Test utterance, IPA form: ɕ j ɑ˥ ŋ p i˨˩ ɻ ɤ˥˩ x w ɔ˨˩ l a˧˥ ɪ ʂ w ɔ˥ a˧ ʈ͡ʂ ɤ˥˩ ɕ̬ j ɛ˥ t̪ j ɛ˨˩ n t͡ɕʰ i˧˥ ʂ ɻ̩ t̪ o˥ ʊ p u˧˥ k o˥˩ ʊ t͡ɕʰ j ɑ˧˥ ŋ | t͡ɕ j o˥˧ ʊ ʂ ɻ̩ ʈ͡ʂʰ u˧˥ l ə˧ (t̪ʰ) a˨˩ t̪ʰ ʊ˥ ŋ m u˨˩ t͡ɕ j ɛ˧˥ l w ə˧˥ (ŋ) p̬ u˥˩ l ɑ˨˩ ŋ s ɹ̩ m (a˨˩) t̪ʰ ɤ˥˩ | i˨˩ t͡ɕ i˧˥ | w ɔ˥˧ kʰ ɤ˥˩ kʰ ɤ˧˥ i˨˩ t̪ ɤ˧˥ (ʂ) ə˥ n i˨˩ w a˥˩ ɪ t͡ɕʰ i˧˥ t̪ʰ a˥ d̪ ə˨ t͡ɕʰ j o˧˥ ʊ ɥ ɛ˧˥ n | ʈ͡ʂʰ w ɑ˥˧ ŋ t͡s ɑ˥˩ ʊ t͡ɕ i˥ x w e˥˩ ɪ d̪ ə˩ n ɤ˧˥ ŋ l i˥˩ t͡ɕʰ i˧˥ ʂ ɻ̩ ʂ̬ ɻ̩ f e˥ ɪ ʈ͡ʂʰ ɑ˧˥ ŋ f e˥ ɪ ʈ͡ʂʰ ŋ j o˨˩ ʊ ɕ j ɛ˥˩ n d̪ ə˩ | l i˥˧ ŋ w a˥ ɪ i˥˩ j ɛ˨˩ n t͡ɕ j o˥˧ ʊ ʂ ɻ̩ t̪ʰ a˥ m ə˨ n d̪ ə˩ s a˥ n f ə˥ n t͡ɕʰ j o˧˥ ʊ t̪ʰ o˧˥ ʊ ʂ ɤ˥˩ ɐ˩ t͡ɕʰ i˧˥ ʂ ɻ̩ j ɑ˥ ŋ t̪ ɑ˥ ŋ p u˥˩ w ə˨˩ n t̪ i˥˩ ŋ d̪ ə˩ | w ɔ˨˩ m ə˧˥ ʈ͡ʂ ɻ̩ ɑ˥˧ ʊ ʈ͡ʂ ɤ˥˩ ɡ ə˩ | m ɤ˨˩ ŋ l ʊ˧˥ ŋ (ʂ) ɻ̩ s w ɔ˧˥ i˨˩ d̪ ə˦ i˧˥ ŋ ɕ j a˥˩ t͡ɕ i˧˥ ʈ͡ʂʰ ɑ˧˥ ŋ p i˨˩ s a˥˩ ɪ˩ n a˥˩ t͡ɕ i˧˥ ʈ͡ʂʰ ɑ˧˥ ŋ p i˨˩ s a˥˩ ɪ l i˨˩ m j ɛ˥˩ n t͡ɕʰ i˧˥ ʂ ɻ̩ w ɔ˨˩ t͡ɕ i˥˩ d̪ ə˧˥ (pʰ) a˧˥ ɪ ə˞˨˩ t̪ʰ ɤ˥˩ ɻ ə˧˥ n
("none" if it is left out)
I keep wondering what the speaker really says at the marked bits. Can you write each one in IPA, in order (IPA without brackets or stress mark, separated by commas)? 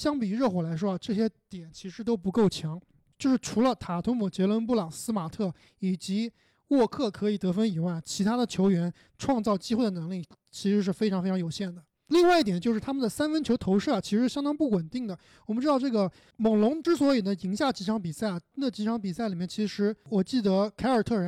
t̪ʰ, n, a˨˩, f, ʈ͡ʂ, kʰ